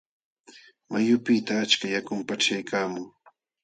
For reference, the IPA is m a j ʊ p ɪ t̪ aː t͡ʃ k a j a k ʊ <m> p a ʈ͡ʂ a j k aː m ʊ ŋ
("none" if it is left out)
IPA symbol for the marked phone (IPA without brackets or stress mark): m